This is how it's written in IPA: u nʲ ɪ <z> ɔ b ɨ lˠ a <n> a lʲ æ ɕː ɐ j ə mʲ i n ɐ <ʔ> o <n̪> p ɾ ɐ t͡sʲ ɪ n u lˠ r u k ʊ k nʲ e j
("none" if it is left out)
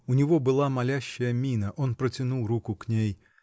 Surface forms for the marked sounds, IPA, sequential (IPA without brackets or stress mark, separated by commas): v, m, ʔ, n̪